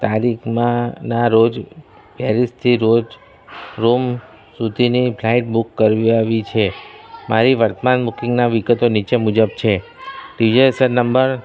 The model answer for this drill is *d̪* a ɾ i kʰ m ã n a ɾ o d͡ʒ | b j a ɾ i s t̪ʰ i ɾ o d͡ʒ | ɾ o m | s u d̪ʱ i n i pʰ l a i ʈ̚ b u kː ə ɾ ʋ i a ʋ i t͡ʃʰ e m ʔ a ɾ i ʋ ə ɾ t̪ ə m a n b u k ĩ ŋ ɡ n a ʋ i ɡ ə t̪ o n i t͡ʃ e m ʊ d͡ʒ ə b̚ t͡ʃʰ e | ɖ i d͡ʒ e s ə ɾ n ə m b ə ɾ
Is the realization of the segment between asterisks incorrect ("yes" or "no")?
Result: yes